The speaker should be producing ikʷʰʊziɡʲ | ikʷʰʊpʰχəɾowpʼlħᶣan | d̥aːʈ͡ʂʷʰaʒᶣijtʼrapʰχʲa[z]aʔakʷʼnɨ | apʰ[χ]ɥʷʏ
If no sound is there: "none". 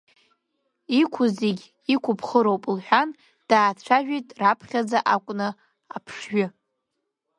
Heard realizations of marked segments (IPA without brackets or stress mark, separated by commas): d͡z, ʂ